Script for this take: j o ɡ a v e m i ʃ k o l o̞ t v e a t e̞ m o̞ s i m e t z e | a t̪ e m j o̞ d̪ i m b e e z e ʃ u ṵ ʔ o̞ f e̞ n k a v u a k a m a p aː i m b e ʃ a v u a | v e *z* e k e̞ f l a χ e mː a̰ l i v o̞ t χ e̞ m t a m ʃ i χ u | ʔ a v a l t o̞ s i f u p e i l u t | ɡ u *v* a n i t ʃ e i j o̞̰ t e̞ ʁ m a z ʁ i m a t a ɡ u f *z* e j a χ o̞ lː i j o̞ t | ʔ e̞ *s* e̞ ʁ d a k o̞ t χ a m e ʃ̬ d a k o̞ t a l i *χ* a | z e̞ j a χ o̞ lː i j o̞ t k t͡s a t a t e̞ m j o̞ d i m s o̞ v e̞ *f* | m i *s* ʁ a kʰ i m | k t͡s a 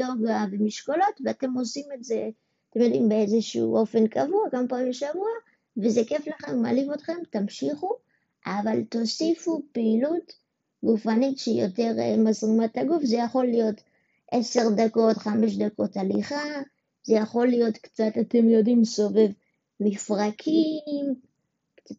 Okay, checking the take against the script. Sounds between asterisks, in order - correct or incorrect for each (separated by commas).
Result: correct, incorrect, correct, correct, correct, incorrect, incorrect